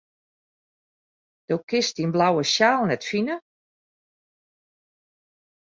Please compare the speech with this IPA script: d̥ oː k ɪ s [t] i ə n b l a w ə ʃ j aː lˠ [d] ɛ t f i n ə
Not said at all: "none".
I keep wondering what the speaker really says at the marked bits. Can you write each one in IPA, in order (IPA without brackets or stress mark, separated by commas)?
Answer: t, n